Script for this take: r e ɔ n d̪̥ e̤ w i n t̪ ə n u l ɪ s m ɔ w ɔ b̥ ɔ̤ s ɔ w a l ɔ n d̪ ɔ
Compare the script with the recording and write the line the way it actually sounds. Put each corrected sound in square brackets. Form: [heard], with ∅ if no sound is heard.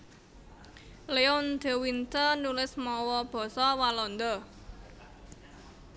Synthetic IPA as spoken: [l] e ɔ n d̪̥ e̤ w i n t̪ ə n u l ɪ s m ɔ w ɔ b̥ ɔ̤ s ɔ w a l ɔ n d̪ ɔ